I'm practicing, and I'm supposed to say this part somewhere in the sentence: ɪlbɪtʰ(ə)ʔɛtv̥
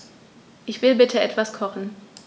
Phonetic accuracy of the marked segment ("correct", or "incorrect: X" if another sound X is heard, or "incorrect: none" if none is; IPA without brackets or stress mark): correct